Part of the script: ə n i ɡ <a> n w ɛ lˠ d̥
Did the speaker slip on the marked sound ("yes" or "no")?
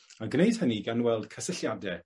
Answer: no